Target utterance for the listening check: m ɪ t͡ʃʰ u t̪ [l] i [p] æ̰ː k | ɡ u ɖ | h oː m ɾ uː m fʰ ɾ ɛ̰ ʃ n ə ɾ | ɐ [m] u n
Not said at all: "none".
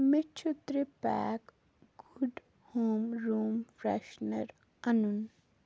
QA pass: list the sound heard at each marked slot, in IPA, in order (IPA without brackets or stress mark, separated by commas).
ɾ, p, n